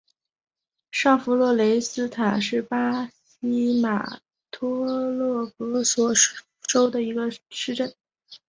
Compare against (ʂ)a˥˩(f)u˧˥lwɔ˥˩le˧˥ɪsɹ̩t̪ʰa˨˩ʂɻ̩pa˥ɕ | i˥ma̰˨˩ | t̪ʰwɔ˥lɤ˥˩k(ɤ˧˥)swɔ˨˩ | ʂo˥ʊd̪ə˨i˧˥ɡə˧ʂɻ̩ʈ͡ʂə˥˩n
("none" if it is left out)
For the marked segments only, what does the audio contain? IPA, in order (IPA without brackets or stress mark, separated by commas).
ʂ, f, ɤ˧˥